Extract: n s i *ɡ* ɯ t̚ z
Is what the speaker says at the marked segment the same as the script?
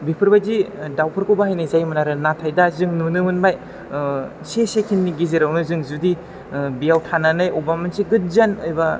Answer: yes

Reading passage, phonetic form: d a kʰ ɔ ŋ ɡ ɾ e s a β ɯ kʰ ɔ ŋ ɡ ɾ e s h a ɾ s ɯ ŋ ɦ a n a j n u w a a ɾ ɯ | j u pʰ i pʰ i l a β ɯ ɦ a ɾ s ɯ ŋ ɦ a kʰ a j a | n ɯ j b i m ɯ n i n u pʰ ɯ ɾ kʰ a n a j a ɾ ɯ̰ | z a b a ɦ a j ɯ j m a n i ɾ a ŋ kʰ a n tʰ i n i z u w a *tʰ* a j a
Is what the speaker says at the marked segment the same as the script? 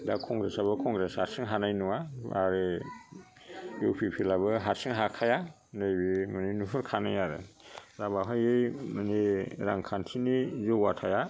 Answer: yes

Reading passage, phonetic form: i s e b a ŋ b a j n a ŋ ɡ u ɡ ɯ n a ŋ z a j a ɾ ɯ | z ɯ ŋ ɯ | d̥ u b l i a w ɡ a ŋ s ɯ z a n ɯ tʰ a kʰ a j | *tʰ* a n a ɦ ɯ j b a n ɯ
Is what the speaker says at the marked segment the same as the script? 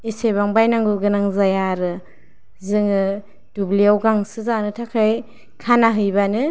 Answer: no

